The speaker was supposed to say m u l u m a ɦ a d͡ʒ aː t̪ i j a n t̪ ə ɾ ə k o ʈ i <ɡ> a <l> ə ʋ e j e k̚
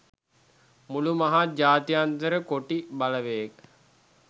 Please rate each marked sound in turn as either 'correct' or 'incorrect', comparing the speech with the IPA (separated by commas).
incorrect, correct